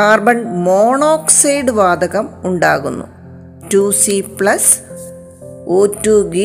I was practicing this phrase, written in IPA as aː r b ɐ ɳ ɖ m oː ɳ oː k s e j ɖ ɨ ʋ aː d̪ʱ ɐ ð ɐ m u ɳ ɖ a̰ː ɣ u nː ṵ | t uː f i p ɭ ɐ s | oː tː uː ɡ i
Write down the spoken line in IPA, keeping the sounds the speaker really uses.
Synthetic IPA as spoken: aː r b ɐ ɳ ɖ m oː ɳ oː k s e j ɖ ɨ ʋ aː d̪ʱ ɐ ɣ ɐ m u ɳ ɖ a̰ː ɣ u nː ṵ | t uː s i p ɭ ɐ s | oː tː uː ɡ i